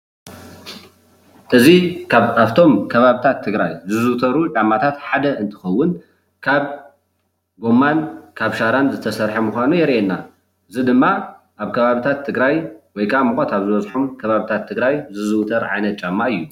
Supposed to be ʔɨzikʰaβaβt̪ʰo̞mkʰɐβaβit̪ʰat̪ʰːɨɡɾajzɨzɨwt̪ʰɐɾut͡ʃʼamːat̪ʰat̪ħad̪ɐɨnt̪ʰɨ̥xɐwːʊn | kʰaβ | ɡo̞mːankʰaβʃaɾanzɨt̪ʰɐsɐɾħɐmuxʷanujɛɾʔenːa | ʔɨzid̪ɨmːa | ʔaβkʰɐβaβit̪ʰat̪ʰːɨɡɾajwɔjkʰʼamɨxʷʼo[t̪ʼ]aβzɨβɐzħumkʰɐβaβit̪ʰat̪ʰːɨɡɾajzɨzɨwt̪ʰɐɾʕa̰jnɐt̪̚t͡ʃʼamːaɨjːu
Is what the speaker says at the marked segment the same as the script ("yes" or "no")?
no